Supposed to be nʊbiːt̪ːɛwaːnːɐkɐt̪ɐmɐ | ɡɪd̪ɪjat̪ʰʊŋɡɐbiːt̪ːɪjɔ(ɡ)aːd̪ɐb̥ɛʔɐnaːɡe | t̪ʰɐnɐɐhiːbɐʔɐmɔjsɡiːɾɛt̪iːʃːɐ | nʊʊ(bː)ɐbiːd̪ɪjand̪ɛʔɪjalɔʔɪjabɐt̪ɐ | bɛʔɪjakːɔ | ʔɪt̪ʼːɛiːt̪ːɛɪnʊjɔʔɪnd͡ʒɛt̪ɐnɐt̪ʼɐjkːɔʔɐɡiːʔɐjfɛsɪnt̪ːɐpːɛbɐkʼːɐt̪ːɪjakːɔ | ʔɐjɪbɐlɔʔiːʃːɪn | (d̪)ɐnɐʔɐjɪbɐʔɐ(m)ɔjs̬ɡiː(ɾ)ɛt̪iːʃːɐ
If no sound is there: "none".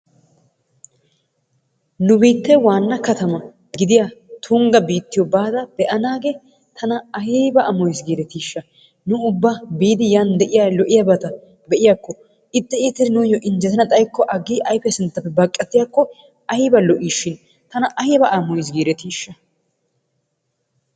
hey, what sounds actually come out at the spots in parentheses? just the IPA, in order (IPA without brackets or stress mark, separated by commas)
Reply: b, bː, t̪, m, ɾ